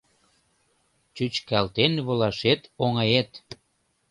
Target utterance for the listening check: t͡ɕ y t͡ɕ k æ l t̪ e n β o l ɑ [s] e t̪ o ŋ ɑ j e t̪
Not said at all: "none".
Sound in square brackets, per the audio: ʃ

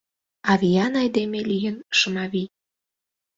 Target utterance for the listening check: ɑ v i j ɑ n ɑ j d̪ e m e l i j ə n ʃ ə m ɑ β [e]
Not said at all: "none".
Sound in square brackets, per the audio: i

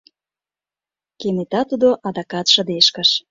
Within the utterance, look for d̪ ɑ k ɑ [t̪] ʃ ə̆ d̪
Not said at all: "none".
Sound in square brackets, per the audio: t̪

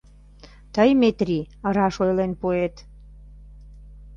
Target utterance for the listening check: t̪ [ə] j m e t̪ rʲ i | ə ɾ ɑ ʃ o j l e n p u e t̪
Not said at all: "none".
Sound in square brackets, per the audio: ə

